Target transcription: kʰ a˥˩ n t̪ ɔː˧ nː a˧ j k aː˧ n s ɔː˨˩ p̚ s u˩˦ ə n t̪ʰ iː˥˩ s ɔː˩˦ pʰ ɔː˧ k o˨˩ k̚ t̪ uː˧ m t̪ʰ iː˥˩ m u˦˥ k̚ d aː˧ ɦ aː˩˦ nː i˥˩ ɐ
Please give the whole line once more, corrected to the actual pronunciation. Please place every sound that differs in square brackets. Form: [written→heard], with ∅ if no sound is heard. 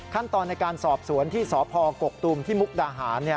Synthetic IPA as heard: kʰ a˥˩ n t̪ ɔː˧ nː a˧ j k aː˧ n s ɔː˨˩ p̚ s u˩˦ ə n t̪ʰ iː˥˩ s ɔː˩˦ pʰ ɔː˧ k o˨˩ k̚ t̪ uː˧ m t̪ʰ iː˥˩ m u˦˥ k̚ d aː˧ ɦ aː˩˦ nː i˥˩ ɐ